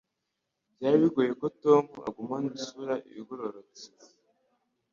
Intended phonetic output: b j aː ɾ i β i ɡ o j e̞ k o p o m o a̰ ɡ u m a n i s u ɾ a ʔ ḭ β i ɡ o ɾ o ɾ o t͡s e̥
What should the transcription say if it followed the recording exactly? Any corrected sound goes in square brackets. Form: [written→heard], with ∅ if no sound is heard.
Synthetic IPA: b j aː ɾ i β i ɡ o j e̞ k o [p→t] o m [o→u] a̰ ɡ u m a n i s u ɾ a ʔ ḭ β i ɡ o ɾ o ɾ o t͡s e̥